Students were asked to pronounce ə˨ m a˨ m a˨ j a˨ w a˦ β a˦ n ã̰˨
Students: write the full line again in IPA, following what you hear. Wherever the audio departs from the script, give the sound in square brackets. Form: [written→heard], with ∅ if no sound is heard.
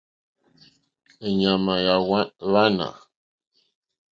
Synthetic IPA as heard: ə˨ [m→ɲ] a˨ m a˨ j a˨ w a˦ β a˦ n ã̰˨